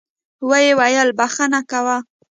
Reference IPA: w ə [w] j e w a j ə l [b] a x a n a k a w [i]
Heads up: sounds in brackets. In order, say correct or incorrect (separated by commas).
incorrect, correct, incorrect